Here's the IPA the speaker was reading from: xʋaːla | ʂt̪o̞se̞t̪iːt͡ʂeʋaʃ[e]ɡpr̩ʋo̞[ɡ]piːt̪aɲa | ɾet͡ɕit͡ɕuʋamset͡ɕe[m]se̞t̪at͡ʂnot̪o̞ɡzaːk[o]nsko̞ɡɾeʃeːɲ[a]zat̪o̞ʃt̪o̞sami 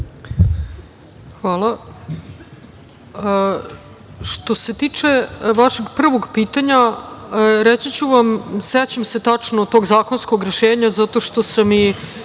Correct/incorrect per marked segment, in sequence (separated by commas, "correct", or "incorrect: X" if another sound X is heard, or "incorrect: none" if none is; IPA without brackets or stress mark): correct, correct, correct, correct, correct